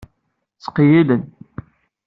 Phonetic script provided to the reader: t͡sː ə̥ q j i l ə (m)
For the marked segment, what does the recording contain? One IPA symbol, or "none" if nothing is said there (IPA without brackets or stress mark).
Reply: n